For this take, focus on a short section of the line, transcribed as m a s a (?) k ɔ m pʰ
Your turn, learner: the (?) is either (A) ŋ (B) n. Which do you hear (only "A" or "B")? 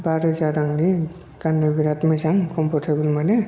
A